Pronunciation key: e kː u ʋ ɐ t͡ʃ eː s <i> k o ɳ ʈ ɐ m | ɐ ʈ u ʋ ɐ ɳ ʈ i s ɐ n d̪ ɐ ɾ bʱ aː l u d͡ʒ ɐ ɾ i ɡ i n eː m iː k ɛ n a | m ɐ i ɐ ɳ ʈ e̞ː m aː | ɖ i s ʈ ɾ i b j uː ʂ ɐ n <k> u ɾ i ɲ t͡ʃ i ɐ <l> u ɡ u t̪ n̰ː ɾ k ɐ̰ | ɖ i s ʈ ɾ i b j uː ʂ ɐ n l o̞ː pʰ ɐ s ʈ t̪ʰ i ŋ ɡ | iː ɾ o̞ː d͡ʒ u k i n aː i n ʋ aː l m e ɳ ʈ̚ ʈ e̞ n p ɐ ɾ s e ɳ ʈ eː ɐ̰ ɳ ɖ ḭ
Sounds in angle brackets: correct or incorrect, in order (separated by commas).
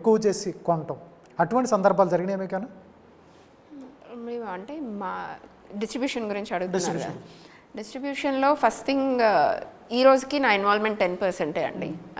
correct, incorrect, incorrect